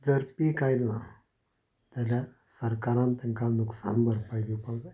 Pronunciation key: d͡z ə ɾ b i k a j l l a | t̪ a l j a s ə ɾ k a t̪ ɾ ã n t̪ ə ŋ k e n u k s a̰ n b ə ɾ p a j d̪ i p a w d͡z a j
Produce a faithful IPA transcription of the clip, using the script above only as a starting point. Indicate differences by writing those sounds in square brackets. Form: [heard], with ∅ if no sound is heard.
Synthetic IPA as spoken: d͡z ə ɾ [p] i k a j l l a | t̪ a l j a s ə ɾ k a [∅] ɾ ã n t̪ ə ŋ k [a] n u k s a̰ n b ə ɾ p a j d̪ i p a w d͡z a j